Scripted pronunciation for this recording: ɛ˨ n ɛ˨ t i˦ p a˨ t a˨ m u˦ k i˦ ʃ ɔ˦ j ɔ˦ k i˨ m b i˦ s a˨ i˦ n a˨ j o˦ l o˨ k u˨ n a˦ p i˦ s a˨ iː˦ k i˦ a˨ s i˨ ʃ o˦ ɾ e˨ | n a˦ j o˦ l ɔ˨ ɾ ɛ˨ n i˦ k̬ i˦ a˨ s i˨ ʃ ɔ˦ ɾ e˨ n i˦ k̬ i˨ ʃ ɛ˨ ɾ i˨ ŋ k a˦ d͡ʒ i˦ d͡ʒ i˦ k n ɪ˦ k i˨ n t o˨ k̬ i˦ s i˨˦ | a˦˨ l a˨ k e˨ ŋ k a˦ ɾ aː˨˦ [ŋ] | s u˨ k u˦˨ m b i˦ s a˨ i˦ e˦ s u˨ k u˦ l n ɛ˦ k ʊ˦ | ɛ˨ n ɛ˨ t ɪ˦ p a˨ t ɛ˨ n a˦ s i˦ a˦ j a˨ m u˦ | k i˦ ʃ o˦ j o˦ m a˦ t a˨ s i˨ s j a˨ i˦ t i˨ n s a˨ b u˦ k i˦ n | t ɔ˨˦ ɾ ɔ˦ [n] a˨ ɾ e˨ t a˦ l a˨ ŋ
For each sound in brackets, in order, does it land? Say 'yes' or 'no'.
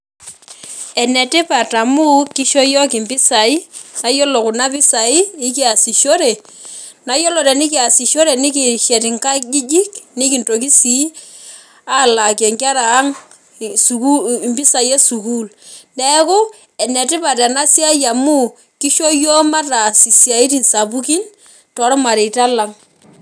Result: yes, no

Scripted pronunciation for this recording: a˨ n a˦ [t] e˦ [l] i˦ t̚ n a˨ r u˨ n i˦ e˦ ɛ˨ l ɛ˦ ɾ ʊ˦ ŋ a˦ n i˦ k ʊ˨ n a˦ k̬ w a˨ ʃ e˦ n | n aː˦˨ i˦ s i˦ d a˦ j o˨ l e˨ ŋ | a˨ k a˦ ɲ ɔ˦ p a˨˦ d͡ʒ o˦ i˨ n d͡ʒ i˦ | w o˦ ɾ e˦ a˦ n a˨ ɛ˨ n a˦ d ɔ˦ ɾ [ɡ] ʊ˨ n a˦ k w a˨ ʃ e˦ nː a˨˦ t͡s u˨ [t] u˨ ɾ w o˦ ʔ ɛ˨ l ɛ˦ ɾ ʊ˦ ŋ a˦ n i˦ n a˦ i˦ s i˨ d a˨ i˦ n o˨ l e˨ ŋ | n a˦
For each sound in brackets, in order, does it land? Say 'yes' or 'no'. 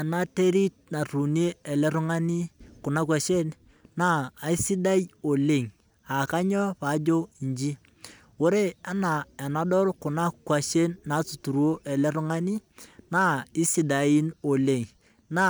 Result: yes, no, no, yes

